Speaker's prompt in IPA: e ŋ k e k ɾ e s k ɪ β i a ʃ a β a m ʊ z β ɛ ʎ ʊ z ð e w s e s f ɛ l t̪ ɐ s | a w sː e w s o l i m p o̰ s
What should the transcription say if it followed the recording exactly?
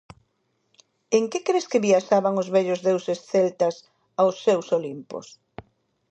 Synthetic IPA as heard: e ŋ k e k ɾ e s k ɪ β i a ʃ a β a ŋ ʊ z β ɛ ʎ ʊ z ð e w s e s θ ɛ l t̪ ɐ s | a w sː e w s o l i m p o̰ s